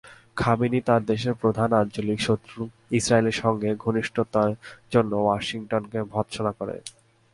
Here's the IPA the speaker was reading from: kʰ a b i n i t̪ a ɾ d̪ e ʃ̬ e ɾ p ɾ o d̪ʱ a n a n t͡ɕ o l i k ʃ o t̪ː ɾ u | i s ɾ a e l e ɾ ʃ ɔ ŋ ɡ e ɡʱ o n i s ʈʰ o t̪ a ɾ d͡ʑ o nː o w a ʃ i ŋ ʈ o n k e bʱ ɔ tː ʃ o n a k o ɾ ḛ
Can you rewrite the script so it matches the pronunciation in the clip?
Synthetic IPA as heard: kʰ a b i n i t̪ a ɾ d̪ e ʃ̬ e ɾ p ɾ o d̪ʱ a n a n t͡ɕ o l i k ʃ o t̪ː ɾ u | i s ɾ a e l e ɾ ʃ ɔ ŋ ɡ e ɡʱ o n i ʃ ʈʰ o t̪ a ɾ d͡ʑ o nː o w a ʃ i ŋ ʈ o n k e bʱ ɔ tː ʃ o n a k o ɾ ḛ